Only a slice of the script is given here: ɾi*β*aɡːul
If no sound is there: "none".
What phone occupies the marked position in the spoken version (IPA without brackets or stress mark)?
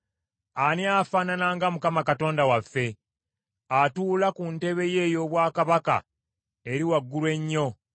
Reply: w